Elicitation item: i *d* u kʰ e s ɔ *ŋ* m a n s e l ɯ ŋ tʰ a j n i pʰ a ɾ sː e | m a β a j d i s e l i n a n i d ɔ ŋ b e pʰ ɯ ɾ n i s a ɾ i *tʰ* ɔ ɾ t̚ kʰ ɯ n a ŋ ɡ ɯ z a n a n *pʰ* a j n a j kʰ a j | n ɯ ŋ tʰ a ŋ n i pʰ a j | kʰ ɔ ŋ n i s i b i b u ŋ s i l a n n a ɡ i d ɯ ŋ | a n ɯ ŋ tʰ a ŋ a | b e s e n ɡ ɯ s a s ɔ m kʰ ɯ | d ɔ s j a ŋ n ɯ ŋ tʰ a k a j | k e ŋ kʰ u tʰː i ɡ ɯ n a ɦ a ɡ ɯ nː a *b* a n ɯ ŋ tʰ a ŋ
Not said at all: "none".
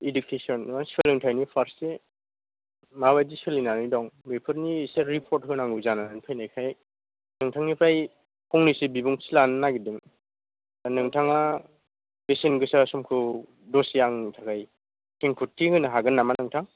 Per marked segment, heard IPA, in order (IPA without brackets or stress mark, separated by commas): d, n, pʰ, pʰ, m